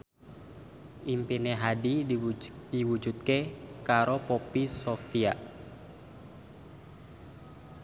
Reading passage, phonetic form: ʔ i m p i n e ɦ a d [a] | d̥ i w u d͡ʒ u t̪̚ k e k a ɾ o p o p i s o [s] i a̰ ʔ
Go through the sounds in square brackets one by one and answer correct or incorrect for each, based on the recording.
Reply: incorrect: i, incorrect: f

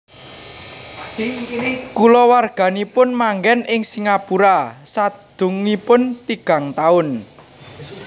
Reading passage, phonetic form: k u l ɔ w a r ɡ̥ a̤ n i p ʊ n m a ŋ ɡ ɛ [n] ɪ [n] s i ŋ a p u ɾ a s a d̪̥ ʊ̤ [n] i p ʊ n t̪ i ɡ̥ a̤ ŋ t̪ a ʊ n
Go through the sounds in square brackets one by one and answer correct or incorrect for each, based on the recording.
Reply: correct, incorrect: ŋ, incorrect: ŋ

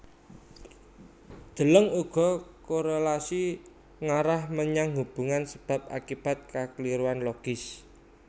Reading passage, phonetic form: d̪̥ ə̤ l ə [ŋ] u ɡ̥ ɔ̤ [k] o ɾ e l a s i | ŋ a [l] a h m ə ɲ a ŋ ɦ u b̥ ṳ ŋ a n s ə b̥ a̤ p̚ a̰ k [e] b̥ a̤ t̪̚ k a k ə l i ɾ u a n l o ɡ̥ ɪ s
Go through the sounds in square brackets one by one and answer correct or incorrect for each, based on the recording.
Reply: correct, correct, incorrect: ɾ, incorrect: i

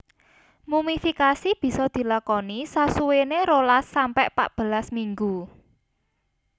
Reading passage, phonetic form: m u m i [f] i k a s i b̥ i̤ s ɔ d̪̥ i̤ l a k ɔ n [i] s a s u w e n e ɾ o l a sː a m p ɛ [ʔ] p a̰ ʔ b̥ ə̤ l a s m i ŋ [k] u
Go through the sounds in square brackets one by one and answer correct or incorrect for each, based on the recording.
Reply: correct, correct, correct, incorrect: ɡ

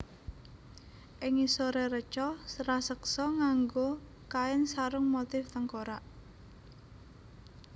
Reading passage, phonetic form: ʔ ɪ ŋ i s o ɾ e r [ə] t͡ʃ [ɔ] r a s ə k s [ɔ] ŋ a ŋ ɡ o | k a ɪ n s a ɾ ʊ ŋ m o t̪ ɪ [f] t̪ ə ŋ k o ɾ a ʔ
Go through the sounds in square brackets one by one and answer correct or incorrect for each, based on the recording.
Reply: correct, correct, correct, correct

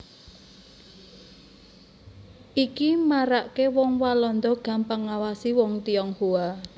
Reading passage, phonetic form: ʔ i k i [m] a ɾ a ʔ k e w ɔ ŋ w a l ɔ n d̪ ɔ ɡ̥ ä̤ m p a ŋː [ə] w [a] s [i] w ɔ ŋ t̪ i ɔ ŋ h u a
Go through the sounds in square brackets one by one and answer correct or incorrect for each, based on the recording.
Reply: correct, incorrect: a, correct, correct

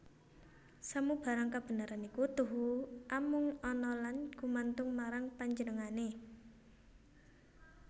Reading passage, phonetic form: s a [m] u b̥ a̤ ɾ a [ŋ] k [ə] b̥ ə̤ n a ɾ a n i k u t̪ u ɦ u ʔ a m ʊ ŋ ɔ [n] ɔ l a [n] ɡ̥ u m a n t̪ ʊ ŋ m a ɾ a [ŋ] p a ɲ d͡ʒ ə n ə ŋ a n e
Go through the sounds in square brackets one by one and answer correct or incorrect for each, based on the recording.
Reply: correct, correct, incorrect: a, correct, correct, correct

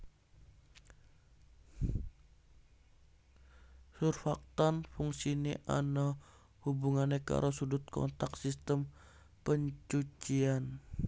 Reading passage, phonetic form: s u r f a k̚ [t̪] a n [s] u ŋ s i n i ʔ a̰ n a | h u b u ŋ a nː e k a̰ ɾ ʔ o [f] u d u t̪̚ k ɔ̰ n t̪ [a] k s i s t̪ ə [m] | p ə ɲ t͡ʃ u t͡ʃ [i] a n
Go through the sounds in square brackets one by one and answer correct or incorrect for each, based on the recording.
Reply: correct, incorrect: f, incorrect: s, correct, correct, correct

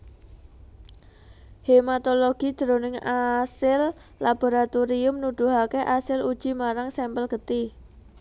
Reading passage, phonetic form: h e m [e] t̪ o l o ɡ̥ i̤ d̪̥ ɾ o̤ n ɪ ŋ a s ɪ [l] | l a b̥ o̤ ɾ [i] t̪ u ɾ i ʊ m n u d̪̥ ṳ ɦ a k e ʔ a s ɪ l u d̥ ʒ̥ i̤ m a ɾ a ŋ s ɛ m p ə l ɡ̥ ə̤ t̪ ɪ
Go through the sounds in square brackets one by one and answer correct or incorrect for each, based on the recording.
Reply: incorrect: a, correct, incorrect: a

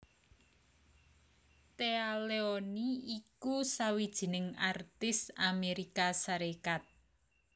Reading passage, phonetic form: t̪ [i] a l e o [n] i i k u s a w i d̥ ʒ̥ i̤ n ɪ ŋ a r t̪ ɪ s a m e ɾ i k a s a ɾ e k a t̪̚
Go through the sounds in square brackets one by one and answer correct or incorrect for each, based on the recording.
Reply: incorrect: e, correct

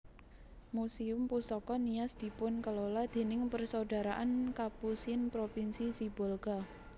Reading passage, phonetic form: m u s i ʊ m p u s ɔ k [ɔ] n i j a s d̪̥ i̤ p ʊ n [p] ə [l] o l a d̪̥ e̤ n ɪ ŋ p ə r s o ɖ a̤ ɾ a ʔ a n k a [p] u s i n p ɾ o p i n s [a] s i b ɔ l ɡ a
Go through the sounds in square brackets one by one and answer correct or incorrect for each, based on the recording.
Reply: correct, incorrect: k, correct, correct, incorrect: i

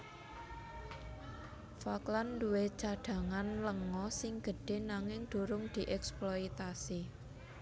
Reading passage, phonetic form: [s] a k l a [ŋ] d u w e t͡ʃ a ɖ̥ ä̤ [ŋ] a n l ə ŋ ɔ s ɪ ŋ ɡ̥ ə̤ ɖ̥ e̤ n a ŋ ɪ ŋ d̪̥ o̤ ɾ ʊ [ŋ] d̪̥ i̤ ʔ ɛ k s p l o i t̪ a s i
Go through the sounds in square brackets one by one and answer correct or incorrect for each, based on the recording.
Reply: incorrect: f, incorrect: n, correct, correct

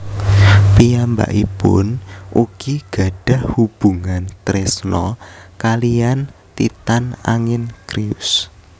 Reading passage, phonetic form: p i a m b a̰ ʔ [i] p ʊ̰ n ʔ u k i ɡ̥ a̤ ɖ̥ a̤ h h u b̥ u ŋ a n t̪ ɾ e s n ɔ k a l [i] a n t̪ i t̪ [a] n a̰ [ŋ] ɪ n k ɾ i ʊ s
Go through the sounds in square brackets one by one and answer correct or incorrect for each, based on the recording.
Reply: correct, correct, correct, correct

